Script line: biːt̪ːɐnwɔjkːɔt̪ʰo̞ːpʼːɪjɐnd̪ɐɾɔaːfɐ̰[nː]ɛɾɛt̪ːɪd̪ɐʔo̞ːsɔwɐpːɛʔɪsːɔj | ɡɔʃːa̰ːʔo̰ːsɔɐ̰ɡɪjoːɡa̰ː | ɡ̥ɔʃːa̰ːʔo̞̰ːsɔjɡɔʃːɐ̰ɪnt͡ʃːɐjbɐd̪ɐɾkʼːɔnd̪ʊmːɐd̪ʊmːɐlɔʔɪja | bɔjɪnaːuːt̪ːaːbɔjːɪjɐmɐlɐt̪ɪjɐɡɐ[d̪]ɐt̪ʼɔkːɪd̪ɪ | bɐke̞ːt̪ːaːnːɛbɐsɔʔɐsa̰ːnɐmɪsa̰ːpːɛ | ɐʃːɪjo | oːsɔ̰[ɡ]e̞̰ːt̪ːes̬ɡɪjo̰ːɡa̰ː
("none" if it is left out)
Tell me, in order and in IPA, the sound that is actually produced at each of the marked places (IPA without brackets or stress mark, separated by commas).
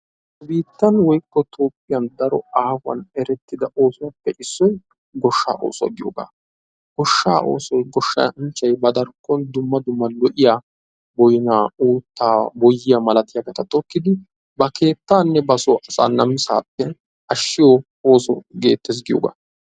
n, t̪, ɡ